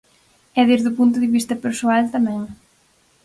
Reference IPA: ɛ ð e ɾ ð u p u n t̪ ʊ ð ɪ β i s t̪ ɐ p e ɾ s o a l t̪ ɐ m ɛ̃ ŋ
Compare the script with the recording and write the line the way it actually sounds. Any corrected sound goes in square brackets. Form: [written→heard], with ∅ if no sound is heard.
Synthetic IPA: ɛ ð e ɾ ð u p u n t̪ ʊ ð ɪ β i s t̪ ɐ p e ɾ s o a l t̪ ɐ m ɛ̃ ŋ

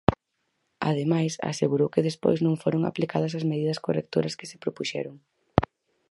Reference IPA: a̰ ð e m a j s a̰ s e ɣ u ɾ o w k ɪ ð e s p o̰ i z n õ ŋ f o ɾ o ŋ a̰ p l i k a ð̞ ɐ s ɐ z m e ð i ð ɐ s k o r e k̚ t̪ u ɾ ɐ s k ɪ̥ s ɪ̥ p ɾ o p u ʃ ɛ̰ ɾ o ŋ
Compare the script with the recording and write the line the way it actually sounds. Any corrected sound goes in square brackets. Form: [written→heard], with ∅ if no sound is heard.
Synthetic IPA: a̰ ð e m a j s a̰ s e ɣ u ɾ o w k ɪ ð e s p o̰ [i→j] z n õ ŋ f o ɾ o ŋ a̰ p l i k a ð̞ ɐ s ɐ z m e ð i ð ɐ s k o r e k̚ t̪ [u→o] ɾ ɐ s k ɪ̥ s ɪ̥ p ɾ o p u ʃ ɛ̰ ɾ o ŋ

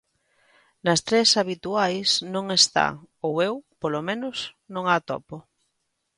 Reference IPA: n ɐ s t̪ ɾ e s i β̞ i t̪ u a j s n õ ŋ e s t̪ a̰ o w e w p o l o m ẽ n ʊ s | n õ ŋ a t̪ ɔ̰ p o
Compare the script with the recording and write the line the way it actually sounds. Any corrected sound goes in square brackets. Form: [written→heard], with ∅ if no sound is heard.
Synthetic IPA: n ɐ s t̪ ɾ e s [i→a] β̞ i t̪ u a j s n õ ŋ e s t̪ a̰ o w e w p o l o m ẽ n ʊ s | n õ ŋ a t̪ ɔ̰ p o

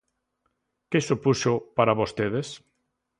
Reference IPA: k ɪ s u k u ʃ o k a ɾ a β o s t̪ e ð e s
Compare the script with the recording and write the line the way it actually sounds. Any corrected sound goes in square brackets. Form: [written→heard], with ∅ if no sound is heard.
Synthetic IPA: k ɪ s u [k→p] u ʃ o [k→p] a ɾ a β o s t̪ e ð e s

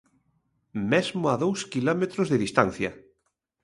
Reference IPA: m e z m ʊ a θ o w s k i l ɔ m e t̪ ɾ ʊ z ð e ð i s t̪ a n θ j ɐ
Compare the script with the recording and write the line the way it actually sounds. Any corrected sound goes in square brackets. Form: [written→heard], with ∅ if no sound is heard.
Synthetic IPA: m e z m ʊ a [θ→ð] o w s k i l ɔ m e t̪ ɾ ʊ z ð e ð i s t̪ a n θ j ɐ

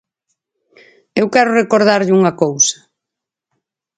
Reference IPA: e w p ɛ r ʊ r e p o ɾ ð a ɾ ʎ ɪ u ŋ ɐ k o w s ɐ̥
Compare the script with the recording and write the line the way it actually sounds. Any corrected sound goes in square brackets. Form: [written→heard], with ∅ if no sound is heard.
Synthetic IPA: e w [p→k] ɛ [r→ɾ] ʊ r e [p→k] o ɾ ð a ɾ ʎ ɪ u ŋ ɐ k o w s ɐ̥

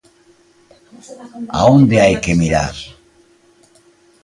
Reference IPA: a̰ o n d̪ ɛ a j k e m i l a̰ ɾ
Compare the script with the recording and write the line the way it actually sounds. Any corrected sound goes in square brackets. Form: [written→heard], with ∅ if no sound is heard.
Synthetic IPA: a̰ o n d̪ [ɛ→e] a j k e m i [l→ɾ] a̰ ɾ

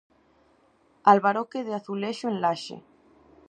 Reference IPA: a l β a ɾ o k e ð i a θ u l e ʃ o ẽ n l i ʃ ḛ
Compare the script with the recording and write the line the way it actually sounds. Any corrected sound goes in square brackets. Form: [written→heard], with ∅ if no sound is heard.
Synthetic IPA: a l β a ɾ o k e ð [i→e] a θ u l e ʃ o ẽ n l [i→a] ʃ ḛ

